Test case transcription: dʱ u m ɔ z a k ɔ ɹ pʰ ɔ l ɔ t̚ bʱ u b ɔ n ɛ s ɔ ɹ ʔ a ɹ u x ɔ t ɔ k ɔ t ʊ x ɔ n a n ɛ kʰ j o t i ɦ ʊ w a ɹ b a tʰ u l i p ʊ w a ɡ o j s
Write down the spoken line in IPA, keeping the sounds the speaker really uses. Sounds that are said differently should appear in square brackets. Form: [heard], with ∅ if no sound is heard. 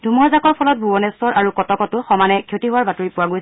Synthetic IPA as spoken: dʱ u m ɔ z a k ɔ ɹ pʰ ɔ l ɔ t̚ bʱ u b ɔ n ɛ s ɔ ɹ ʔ a ɹ u [k] ɔ t ɔ k ɔ t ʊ x ɔ [m] a n ɛ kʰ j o t i ɦ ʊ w a ɹ b a [t] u [ɹ] i p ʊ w a ɡ o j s